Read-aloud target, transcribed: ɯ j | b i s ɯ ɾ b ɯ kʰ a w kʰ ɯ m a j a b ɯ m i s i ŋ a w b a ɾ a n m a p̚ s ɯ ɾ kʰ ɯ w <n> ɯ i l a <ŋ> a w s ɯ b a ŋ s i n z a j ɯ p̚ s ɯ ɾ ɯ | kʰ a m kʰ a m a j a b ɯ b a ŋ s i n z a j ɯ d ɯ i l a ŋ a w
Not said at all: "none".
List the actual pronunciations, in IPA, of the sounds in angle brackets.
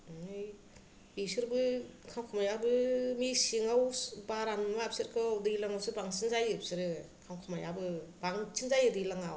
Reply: d, ŋ

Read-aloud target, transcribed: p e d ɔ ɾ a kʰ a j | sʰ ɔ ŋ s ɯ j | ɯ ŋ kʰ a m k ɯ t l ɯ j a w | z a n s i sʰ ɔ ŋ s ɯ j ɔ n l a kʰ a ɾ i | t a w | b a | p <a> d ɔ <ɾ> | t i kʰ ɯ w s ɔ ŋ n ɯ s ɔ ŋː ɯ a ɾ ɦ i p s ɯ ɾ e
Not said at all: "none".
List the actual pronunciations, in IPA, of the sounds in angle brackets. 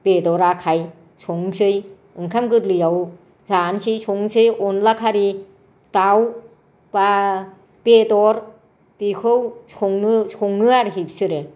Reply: e, ɾ

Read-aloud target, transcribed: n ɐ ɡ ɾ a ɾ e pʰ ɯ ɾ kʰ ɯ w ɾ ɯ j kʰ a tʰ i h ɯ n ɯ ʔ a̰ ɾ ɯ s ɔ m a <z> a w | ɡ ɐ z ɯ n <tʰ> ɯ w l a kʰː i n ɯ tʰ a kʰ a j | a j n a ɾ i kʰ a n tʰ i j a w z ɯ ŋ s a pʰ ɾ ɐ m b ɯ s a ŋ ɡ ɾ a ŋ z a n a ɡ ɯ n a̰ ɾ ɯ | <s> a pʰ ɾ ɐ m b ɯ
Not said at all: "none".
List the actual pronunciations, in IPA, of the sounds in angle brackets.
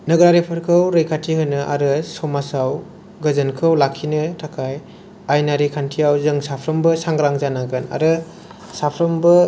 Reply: s, kʰ, s

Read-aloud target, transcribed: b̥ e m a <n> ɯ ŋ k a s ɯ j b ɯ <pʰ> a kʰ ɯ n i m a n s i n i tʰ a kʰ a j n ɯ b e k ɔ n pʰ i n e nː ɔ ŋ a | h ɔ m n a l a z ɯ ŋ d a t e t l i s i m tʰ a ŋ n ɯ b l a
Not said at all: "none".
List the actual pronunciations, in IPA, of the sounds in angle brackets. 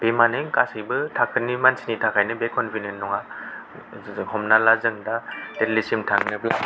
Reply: n, tʰ

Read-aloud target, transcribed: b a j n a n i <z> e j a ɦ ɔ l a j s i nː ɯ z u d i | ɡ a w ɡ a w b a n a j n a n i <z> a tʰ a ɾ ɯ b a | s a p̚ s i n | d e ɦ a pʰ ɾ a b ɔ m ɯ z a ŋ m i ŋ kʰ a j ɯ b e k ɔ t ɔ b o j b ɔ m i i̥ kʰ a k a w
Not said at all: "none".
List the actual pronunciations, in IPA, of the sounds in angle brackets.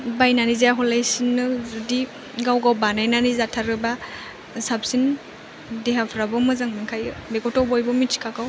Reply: z, z

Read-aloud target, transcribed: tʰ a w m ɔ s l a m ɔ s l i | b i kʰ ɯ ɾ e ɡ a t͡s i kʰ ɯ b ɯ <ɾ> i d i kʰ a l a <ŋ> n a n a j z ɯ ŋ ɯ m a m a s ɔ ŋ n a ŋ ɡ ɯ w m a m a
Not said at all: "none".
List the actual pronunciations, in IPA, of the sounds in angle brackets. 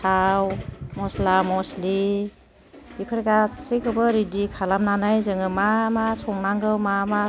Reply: ɾ, m

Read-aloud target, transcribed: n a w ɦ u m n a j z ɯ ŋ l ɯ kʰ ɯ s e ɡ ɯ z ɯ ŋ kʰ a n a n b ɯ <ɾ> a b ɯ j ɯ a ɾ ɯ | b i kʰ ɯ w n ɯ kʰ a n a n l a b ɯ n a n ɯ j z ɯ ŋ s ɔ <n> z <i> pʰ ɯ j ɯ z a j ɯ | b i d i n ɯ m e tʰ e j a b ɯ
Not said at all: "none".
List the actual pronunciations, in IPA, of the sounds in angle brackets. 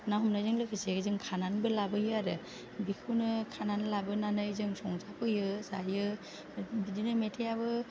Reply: l, ŋ, a

